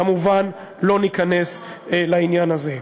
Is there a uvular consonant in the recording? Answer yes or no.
no